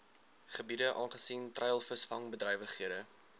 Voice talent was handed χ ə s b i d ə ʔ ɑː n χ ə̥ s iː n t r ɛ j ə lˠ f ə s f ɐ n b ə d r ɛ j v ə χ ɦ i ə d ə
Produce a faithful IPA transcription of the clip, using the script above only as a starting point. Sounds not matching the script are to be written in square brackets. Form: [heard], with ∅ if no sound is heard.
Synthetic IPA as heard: χ ə [∅] b i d ə ʔ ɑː n χ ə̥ s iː n t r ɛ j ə lˠ f ə s f ɐ [ŋ] b ə d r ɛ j v ə χ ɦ i ə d ə